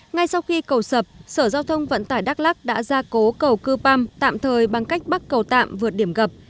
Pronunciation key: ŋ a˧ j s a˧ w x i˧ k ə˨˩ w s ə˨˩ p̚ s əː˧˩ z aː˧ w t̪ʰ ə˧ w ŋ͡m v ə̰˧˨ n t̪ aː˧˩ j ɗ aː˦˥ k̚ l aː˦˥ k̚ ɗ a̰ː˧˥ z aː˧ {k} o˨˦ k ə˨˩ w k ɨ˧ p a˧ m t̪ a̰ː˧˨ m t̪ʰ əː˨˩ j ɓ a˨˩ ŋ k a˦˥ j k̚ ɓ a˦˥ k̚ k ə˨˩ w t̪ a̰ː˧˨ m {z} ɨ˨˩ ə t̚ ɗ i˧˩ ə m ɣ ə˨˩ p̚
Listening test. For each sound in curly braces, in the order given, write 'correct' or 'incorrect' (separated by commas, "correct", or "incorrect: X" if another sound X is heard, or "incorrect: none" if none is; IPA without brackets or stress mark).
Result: correct, incorrect: v